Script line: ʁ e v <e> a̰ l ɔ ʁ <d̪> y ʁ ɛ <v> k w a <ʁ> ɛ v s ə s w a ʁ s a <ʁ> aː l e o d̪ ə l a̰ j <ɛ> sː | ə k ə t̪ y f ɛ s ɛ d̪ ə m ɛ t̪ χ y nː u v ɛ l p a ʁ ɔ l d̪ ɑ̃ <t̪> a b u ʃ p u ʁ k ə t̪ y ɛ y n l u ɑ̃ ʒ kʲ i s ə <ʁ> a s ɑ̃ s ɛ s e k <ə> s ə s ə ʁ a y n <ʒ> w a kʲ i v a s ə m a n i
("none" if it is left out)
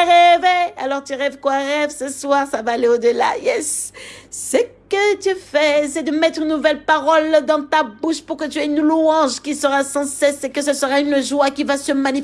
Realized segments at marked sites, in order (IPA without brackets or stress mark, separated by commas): e, t̪, v, ʁ, v, ɛ, t̪, ʁ, ə, ʒ